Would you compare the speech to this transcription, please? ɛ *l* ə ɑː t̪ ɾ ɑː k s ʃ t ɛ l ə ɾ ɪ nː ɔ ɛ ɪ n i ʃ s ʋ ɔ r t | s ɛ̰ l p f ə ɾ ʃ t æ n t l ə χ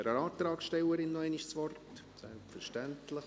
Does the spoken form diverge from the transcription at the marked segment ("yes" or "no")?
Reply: yes